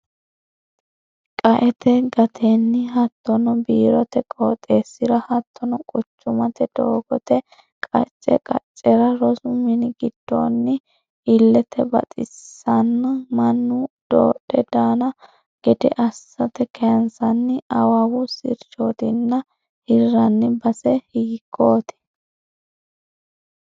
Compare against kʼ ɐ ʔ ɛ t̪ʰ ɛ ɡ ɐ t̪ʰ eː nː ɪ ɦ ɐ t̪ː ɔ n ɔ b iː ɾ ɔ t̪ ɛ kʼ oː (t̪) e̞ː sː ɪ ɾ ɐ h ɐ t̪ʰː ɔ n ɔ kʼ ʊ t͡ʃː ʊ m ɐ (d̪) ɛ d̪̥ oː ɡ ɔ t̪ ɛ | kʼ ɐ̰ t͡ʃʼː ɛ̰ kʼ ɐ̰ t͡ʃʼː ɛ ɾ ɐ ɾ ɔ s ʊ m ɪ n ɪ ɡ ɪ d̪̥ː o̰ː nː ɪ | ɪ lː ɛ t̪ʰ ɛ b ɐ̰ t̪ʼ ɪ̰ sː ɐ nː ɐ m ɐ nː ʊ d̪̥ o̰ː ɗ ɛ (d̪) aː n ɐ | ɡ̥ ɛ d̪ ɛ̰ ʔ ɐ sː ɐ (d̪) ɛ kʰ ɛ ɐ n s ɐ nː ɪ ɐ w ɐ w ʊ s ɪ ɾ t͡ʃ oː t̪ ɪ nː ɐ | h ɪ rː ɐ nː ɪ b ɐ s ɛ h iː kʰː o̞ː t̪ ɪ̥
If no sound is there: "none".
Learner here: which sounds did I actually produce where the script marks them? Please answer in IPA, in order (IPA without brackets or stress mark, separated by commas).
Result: t̪ʼ, t̪, d̪, t̪